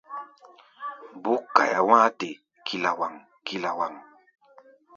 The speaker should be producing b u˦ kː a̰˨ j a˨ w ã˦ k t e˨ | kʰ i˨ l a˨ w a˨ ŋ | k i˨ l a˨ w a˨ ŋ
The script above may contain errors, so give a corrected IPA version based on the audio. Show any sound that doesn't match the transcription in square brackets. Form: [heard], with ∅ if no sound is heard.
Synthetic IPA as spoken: b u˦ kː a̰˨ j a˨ w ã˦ [∅] t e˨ | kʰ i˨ l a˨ w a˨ ŋ | k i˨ l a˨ w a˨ ŋ